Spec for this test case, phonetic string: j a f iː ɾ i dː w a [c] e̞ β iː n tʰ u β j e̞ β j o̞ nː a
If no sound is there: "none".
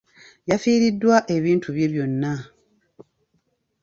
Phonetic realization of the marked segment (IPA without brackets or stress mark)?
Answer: ʔ